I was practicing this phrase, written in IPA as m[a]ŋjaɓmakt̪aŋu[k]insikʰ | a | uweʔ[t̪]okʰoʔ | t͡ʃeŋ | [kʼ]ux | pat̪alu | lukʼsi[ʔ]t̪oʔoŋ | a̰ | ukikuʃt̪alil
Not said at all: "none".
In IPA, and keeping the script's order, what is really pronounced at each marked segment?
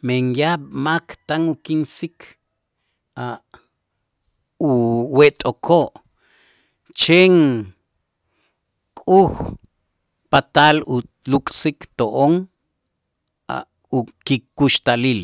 e, k, t̪ʼ, kʼ, k

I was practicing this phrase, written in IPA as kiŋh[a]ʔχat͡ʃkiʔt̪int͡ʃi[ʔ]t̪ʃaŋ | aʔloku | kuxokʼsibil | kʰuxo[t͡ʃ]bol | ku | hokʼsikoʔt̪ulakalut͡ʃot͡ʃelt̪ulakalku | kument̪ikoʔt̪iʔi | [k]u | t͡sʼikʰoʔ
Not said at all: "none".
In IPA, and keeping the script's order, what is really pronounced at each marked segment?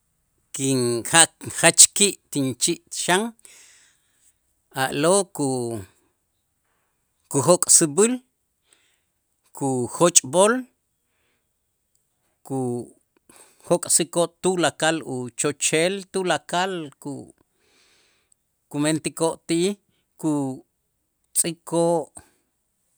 a, ʔ, t͡ʃʼ, k

